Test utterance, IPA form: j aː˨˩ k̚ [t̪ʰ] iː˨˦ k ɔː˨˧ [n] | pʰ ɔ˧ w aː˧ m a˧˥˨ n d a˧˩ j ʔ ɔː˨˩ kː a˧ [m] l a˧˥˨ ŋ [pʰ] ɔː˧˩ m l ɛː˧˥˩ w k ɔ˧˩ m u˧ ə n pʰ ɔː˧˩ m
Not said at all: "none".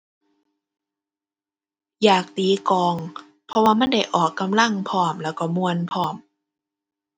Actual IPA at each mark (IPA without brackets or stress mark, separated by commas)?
t̪, ŋ, m, pʰ